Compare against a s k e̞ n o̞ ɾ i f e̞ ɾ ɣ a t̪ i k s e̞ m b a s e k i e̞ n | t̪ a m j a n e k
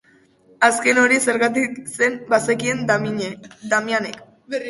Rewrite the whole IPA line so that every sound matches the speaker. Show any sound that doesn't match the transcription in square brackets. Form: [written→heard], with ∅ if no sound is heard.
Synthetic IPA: a s k e̞ n o̞ ɾ i [f→s] e̞ ɾ ɣ a t̪ i k s e̞ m b a s e k i e̞ n | [t̪→d̪] a m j a n e k

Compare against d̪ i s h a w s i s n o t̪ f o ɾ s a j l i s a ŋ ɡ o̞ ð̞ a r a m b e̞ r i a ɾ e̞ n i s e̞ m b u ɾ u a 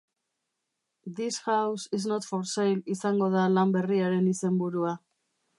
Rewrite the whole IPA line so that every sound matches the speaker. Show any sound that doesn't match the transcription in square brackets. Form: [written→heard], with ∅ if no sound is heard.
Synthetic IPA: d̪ i s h a w s i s n o t̪ f o ɾ s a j l i s a ŋ ɡ o̞ ð̞ a [r→l] a m b e̞ r i a ɾ e̞ n i s e̞ m b u ɾ u a

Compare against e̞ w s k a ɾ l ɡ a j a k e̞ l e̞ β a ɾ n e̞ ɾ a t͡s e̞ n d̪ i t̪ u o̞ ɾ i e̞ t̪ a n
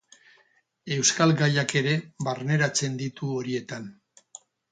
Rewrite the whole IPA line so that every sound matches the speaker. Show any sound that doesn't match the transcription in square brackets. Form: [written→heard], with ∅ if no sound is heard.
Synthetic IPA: e̞ w s k a [ɾ→∅] l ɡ a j a k e̞ [l→ɾ] e̞ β a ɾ n e̞ ɾ a t͡s e̞ n d̪ i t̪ u o̞ ɾ i e̞ t̪ a n

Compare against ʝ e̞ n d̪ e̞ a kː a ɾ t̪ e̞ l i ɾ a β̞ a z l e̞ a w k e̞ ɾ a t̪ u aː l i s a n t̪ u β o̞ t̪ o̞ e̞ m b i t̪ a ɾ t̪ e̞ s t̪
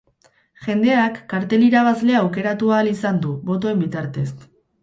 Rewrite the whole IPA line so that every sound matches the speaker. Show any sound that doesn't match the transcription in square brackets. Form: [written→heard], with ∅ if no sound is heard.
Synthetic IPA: ʝ e̞ n d̪ e̞ a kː a ɾ t̪ e̞ l i ɾ a β̞ a z l e̞ a w k e̞ ɾ a t̪ u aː l i s a n [t̪→d̪] u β o̞ t̪ o̞ e̞ m b i t̪ a ɾ t̪ e̞ s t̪

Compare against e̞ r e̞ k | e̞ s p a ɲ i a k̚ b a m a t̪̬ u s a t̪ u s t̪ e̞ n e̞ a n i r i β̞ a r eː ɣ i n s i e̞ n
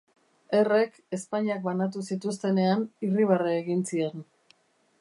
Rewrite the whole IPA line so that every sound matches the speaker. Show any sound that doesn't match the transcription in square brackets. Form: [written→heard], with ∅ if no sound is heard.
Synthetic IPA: e̞ r e̞ k | e̞ s p a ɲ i a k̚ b a [m→n] a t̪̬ u s [a→i] t̪ u s t̪ e̞ n e̞ a n i r i β̞ a r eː ɣ i n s i e̞ n

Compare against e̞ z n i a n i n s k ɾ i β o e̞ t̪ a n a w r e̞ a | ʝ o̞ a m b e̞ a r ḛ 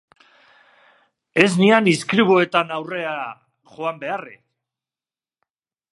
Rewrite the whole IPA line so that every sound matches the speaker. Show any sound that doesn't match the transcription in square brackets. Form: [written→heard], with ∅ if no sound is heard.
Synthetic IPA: e̞ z n i a n i [n→∅] s k ɾ i β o e̞ t̪ a n a w r e̞ a | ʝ o̞ a m b e̞ a r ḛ

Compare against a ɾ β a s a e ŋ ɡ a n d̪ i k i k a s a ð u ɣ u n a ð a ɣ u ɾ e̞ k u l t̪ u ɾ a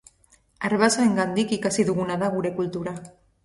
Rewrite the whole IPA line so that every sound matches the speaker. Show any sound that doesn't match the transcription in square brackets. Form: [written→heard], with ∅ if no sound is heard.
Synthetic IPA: a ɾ β a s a e ŋ ɡ a n d̪ i k i k a s [a→i] ð u ɣ u n a ð a ɣ u ɾ e̞ k u l t̪ u ɾ a

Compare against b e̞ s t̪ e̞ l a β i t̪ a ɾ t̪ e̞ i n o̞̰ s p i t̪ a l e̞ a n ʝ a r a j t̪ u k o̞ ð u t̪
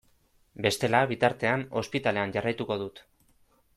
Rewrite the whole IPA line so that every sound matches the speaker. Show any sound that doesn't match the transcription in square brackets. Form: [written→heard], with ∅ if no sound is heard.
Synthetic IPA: b e̞ s t̪ e̞ l a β i t̪ a ɾ t̪ e̞ [i→a] n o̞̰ s p i t̪ a l e̞ a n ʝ a r a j t̪ u k o̞ ð u t̪

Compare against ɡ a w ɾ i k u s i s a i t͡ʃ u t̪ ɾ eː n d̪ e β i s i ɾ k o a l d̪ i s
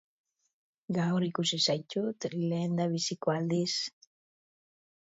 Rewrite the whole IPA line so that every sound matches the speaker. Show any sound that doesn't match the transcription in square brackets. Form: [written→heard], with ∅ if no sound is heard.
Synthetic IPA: ɡ a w ɾ i k u s i s a [i→j] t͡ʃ u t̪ [ɾ→l] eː n d̪ [e→a] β i s i [ɾ→∅] k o a l d̪ i s

